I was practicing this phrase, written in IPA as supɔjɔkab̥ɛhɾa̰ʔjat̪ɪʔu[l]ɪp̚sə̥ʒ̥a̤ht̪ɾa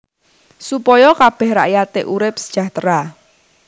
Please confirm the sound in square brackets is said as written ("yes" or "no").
no